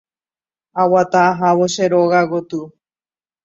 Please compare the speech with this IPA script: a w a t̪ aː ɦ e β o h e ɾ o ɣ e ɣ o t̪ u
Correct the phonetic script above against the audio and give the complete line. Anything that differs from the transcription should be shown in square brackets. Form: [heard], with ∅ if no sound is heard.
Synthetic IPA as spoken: a w a t̪ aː ɦ [a] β o [ʃ] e ɾ o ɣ [a] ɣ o t̪ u